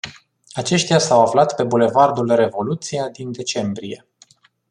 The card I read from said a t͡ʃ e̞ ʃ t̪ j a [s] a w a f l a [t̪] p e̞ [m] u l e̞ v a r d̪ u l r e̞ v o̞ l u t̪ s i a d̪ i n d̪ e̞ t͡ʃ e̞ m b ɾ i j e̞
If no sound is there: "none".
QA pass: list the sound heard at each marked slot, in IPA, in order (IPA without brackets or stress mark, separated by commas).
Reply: s, t̪, b